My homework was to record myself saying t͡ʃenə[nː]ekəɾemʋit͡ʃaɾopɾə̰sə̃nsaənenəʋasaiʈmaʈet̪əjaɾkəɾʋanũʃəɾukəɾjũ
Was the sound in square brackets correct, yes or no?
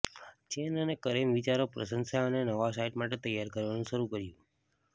no